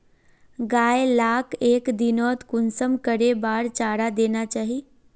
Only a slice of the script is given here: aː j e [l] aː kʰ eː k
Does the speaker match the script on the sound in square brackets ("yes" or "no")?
yes